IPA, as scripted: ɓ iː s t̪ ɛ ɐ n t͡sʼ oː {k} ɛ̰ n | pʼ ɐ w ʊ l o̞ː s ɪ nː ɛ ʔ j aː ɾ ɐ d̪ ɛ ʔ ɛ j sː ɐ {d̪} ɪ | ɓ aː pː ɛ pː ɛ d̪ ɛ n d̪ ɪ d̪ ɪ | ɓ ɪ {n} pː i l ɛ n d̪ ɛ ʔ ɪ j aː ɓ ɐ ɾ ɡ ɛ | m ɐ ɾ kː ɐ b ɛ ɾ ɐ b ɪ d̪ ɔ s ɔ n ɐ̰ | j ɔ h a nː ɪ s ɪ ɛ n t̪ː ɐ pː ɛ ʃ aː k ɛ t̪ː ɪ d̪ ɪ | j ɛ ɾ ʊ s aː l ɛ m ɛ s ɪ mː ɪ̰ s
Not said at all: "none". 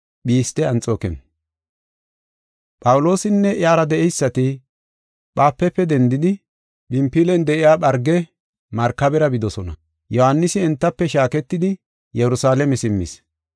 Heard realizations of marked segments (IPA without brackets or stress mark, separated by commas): k, t̪, m